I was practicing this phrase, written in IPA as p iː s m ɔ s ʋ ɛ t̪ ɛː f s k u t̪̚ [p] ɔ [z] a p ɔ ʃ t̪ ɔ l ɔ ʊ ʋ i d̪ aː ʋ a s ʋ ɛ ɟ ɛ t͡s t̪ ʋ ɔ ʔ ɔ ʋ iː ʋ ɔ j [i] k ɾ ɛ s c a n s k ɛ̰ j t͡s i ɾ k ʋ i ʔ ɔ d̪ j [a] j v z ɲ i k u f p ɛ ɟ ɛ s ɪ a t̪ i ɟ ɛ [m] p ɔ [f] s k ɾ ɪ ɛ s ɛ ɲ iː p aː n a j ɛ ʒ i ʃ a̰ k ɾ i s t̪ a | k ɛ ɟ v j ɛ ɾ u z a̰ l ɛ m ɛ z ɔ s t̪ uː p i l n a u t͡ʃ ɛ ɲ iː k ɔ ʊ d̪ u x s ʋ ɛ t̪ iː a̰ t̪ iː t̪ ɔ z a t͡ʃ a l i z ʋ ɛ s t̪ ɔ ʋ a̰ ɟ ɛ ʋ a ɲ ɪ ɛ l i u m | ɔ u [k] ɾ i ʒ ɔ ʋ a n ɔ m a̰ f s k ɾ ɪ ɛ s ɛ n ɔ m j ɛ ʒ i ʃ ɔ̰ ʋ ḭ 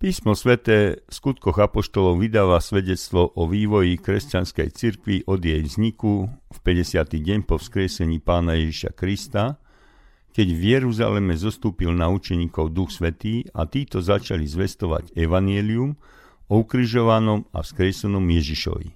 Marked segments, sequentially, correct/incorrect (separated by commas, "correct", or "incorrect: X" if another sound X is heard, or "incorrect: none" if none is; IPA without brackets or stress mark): incorrect: k, incorrect: ɣ, correct, incorrect: ɛ, incorrect: ɲ, correct, correct